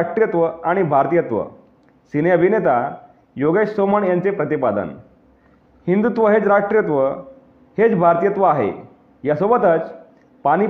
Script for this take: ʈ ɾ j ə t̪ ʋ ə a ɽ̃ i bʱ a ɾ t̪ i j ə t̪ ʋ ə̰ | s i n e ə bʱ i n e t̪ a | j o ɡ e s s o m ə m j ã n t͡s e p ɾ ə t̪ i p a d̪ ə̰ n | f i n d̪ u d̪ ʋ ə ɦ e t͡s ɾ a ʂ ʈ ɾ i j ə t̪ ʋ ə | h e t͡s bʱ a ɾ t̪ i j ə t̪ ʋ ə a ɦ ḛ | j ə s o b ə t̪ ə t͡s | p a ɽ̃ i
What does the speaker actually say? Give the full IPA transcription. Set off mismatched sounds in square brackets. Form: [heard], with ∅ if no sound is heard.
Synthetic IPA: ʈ ɾ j ə t̪ ʋ ə a ɽ̃ i bʱ a ɾ t̪ i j ə t̪ ʋ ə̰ | s i n e ə bʱ i n e t̪ a | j o ɡ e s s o m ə [ɳ] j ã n t͡s e p ɾ ə t̪ i p a d̪ ə̰ n | [h] i n d̪ u [t̪] ʋ ə ɦ e t͡s ɾ a ʂ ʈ ɾ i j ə t̪ ʋ ə | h e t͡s bʱ a ɾ t̪ i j ə t̪ ʋ ə a ɦ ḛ | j [a] s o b ə t̪ ə t͡s | p a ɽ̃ i